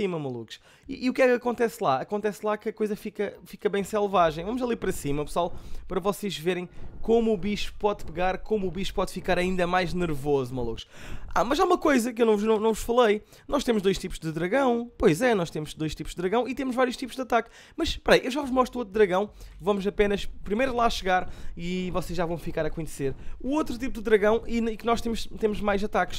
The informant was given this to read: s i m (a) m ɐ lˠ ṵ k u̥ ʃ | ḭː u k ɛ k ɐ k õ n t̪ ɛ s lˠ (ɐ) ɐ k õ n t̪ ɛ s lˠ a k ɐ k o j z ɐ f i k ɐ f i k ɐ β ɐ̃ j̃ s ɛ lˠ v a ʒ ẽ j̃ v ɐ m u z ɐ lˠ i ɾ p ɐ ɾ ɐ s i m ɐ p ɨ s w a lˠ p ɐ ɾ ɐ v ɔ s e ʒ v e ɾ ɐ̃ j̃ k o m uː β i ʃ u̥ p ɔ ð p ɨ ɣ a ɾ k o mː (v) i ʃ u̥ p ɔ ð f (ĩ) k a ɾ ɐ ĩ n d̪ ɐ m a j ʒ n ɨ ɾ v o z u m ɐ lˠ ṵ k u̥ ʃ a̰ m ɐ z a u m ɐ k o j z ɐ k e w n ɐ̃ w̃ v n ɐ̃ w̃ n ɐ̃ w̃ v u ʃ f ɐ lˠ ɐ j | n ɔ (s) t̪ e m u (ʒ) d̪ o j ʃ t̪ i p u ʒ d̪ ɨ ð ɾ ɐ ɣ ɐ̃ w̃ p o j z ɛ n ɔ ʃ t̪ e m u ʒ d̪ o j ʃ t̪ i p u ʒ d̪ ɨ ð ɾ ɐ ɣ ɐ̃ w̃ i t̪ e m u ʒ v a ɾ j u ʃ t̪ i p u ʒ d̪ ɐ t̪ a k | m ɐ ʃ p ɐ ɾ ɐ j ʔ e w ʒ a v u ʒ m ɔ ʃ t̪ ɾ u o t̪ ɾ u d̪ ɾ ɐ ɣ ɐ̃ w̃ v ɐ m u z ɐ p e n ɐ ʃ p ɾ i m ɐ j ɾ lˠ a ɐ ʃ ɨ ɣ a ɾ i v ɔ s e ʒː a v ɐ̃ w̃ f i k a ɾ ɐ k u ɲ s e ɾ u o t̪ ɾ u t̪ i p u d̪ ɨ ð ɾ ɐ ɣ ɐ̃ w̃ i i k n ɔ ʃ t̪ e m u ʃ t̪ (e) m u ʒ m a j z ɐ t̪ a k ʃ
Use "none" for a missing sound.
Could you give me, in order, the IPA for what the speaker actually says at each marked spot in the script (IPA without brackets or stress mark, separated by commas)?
ɐ, a, β, i, ʃ, ʒ, e